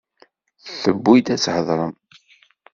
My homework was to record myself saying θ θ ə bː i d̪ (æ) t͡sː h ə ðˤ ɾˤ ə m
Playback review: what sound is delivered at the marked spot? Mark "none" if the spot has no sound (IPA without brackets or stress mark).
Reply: æ